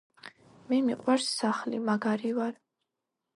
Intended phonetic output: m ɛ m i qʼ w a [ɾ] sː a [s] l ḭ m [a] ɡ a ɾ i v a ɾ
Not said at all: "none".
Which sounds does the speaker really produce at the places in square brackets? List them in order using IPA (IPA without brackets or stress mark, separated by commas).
ɾ, χ, a